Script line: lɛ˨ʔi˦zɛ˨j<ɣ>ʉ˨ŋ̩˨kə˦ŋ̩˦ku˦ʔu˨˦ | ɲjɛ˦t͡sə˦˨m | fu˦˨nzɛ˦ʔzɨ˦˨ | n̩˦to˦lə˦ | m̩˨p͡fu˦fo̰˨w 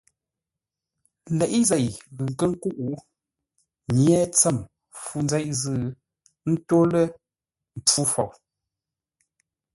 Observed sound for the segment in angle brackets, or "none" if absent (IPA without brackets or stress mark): ɣ